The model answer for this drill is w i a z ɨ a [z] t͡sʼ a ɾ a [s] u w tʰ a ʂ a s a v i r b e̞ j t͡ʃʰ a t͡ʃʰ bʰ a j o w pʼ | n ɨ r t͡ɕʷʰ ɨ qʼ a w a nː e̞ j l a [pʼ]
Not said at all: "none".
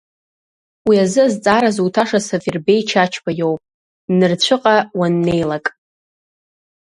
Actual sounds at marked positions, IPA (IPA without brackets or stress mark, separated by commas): z, z, kʼ